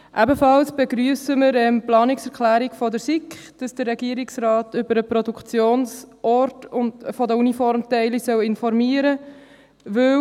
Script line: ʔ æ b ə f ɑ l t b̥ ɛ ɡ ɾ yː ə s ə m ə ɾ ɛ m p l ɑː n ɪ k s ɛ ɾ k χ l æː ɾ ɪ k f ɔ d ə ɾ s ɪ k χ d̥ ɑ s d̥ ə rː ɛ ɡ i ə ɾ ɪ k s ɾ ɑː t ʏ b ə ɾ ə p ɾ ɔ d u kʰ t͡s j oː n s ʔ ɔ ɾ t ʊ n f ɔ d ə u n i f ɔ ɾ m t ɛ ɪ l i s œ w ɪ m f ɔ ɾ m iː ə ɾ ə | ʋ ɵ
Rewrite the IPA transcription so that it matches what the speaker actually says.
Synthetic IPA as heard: ʔ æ b ə f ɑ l s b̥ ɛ ɡ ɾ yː ə s ə m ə ɾ ɛ m p l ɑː n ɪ k s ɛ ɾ k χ l æː ɾ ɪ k f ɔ d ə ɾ s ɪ k χ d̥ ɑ s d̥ ə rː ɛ ɡ i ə ɾ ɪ k s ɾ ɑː t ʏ b ə ɾ ə p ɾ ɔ d u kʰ t͡s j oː n s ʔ ɔ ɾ t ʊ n f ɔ d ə u n i f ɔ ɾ m t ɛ ɪ l i s œ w ɪ n f ɔ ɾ m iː ə ɾ ə | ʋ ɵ